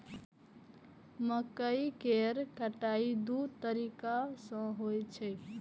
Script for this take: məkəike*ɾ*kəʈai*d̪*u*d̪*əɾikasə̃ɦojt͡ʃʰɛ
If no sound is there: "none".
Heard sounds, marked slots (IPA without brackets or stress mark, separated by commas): ɾ, d̪, t̪